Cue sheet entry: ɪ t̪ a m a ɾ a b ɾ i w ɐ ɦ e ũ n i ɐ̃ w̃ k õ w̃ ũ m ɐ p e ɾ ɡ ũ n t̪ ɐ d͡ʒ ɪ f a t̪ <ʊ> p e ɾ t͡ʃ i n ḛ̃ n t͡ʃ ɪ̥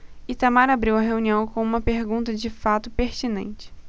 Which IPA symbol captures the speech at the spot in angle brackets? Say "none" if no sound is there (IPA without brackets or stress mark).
ʊ